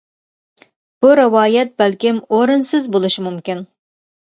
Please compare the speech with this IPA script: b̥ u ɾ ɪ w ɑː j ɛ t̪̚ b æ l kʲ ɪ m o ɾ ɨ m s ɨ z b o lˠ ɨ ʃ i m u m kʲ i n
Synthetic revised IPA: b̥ u ɾ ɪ w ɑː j ɛ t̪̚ b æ l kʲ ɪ m o ɾ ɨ n s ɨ z b o lˠ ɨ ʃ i m u m kʲ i n